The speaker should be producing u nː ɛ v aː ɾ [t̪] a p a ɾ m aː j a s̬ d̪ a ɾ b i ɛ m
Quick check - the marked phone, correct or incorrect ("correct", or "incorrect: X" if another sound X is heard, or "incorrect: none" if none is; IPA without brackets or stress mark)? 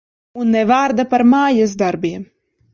incorrect: d̪